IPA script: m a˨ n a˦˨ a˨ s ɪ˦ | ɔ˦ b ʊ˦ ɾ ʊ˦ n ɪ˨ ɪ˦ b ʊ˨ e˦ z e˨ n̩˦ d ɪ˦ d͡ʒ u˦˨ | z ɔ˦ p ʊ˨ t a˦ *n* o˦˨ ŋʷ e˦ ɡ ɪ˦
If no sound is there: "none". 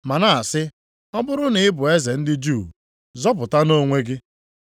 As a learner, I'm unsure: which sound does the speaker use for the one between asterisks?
n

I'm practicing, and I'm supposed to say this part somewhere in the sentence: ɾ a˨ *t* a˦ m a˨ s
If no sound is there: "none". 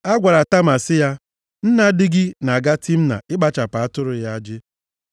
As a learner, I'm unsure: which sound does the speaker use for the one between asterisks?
t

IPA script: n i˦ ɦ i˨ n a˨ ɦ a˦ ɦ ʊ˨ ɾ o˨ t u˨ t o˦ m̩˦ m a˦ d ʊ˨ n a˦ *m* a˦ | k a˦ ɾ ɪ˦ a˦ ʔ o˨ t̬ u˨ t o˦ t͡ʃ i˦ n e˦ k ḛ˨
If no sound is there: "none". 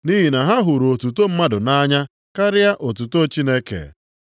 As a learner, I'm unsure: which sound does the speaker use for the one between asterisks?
ɲ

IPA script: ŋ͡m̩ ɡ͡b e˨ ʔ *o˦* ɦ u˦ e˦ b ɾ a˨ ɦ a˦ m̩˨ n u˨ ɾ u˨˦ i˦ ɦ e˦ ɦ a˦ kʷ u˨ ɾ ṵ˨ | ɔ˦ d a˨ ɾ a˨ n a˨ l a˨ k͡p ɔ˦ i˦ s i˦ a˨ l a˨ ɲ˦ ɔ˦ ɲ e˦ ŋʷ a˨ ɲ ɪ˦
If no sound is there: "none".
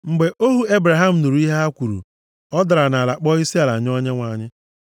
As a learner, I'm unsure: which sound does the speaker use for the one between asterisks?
o˦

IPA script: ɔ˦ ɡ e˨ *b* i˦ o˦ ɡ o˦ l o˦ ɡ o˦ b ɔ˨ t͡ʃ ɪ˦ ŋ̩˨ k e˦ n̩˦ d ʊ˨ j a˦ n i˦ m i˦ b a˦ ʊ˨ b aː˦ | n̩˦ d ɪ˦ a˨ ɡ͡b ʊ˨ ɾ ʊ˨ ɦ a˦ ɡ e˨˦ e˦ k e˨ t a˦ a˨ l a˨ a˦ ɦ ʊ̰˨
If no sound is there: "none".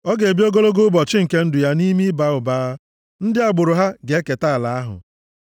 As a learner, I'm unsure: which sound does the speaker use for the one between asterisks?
b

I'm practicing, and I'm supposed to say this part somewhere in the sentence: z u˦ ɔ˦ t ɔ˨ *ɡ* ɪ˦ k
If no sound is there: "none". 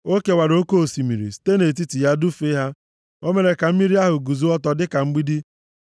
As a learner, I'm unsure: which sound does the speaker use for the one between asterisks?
d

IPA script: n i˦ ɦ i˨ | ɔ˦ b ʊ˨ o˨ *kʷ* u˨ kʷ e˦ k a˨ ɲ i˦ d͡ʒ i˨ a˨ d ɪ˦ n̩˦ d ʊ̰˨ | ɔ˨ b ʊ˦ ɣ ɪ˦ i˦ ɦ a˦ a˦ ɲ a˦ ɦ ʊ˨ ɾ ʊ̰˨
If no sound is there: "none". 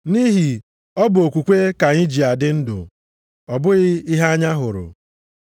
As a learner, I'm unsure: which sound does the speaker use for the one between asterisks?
kʷ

